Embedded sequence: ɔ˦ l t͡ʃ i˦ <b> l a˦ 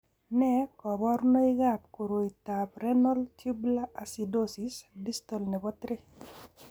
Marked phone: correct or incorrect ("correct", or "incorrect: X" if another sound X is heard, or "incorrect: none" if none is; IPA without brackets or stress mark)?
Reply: correct